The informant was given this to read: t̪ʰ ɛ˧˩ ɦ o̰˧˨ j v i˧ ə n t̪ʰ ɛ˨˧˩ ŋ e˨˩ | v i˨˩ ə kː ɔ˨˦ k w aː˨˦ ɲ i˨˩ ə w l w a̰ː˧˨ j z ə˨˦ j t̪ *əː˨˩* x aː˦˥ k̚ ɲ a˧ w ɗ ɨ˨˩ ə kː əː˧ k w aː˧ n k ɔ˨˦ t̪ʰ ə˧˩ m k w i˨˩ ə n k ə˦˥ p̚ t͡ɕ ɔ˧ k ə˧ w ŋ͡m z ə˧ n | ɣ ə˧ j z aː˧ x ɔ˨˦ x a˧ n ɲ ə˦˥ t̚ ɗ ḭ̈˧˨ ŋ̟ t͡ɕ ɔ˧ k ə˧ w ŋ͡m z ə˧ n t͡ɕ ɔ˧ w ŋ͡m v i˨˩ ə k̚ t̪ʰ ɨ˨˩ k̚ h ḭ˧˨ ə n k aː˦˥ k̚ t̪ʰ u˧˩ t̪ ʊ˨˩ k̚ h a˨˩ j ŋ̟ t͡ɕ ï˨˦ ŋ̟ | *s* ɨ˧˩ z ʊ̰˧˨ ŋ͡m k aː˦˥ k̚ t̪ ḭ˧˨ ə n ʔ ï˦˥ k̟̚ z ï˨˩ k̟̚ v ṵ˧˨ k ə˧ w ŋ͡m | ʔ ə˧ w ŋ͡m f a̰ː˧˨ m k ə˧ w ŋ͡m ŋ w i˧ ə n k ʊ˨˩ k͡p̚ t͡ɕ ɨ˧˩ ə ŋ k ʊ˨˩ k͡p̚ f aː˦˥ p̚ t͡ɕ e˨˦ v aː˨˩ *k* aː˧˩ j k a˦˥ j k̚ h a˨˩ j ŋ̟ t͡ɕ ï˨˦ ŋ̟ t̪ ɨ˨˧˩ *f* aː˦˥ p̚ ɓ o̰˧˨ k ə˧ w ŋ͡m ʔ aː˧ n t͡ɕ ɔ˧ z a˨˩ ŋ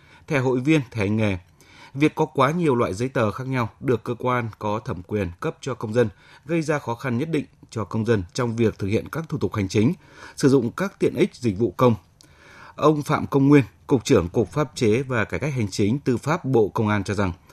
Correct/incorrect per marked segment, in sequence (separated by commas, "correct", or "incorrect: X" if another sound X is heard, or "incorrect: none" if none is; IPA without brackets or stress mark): correct, correct, correct, correct